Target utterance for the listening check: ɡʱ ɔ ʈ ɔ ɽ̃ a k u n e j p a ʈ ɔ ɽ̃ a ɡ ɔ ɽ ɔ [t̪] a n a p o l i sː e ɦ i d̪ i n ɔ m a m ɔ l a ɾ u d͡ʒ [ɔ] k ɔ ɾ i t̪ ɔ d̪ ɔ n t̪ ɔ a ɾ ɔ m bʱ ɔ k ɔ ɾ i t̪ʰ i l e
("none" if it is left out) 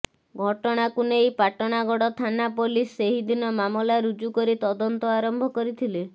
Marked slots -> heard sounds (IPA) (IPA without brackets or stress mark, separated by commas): t̪ʰ, u